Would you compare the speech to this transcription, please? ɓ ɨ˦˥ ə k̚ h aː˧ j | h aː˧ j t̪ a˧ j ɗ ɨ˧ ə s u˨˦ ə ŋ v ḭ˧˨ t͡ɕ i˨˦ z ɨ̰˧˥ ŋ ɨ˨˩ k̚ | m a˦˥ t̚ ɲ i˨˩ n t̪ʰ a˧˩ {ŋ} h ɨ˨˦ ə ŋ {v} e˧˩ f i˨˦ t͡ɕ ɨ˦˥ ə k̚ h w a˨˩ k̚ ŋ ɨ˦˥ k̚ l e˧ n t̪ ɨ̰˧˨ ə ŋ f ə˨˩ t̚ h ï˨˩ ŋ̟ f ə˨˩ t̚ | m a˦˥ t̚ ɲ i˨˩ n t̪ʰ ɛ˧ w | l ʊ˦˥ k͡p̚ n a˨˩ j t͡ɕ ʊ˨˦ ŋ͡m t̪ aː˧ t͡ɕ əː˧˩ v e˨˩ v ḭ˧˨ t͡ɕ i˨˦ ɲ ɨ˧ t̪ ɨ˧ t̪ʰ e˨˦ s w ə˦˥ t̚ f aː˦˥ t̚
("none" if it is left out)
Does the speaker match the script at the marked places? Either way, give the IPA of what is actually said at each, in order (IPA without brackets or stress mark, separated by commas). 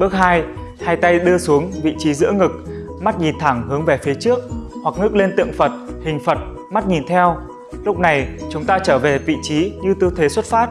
ŋ, v